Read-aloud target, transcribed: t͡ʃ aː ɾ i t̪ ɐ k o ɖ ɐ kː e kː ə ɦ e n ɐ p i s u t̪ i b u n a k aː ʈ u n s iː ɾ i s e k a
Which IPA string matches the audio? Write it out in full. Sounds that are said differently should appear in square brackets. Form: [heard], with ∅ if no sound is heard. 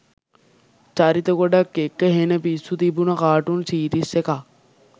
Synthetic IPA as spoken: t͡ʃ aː ɾ i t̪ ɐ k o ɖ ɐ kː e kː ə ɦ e n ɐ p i s u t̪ i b u n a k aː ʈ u n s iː ɾ i s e k a